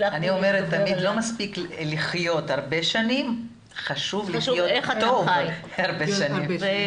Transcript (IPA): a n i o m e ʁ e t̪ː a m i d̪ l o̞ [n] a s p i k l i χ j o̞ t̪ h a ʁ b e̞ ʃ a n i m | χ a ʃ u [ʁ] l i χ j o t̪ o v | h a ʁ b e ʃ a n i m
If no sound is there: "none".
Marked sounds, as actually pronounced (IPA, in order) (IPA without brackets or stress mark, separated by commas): m, v